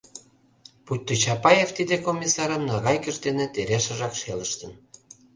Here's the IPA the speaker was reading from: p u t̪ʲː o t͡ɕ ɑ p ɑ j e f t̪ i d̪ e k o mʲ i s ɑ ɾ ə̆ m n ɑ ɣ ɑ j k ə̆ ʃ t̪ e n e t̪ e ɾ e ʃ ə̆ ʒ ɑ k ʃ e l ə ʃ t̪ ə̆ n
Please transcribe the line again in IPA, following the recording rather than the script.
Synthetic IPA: p u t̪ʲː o t͡ɕ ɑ p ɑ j e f t̪ i d̪ e k o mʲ i s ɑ ɾ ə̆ m n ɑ ɣ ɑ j k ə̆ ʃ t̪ e n e t̪ e ɾ e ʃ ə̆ ʒ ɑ k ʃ e l ə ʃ t̪ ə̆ n